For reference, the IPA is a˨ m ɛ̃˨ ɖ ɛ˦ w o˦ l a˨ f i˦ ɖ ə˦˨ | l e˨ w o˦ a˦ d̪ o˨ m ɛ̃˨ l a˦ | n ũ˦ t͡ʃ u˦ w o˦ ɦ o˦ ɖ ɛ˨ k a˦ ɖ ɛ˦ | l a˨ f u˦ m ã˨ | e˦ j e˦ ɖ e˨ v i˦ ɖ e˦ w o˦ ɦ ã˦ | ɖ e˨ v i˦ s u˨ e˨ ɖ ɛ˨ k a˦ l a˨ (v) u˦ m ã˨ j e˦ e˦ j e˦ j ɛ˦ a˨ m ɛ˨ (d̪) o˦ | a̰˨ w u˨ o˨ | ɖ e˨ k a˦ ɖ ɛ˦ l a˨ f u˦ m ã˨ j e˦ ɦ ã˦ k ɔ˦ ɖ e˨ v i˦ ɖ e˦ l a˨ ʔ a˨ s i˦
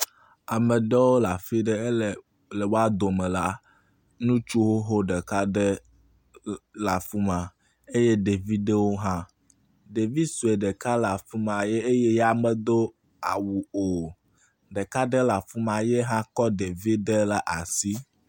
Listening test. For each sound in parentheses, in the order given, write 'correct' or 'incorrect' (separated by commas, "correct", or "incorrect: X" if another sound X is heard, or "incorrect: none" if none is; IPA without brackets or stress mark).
incorrect: f, correct